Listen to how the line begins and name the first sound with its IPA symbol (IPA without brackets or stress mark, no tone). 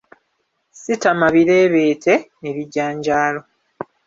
s